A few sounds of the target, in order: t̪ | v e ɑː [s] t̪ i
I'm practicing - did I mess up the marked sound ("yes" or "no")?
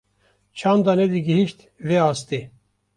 no